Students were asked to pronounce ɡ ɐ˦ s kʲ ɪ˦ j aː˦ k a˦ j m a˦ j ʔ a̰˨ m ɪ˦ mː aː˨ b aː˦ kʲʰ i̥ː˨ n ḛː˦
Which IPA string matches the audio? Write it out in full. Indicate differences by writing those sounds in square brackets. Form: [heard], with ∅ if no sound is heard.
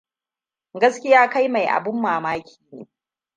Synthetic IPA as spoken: ɡ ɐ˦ s kʲ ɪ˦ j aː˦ k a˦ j m [a˨] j ʔ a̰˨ [b] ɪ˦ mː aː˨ [m] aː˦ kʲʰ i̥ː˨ n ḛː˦